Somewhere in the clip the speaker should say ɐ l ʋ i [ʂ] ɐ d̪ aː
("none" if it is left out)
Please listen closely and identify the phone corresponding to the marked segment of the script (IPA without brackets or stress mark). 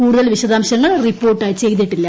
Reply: ɕ